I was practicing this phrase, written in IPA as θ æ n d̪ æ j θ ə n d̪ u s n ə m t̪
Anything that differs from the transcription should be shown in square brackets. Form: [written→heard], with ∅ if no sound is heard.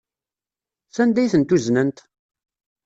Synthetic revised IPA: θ æ n d̪ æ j θ ə n [d̪→t̪] u [s→z] n ə [m→n] t̪